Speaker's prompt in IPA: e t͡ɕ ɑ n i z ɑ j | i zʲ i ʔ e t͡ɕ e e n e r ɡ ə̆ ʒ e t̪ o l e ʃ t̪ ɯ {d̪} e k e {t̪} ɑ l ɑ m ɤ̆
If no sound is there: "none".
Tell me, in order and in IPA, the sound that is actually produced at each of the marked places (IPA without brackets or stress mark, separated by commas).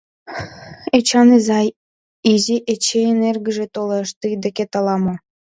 d̪, t̪